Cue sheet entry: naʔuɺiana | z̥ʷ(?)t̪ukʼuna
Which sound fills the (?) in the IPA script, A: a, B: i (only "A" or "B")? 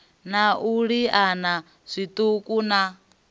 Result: B